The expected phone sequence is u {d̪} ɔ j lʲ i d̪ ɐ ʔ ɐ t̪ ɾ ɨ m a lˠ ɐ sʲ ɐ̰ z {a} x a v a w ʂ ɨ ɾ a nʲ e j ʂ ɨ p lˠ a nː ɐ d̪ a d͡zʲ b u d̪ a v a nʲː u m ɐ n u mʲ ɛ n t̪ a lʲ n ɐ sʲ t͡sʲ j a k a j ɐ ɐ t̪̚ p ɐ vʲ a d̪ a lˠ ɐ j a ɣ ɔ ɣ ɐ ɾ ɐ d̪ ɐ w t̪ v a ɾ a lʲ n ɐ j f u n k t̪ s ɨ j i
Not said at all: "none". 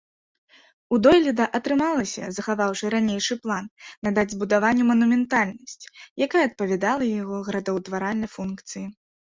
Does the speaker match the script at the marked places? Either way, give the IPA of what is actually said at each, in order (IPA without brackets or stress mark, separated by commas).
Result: d̪, ɐ